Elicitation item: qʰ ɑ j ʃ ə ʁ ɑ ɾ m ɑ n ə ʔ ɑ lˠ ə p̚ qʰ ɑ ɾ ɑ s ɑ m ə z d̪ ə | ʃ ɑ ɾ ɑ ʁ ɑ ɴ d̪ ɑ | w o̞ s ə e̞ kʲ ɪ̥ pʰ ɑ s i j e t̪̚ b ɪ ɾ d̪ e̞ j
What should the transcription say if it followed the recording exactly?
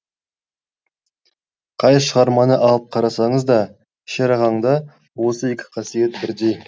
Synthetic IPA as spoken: qʰ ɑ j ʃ ə ʁ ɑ ɾ m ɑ n ə ʔ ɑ lˠ ə p̚ qʰ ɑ ɾ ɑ s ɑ ɴ ə z d̪ ɑ | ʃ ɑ ɾ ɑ ʁ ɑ ɴ d̪ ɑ | w o̞ s ə e̞ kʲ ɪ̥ qʰ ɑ s i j e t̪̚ b ɪ ɾ d̪ e̞ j